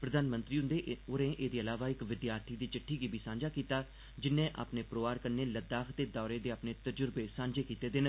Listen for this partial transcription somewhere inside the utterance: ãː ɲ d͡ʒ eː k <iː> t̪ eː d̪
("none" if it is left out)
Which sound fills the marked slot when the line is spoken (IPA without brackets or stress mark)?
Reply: iː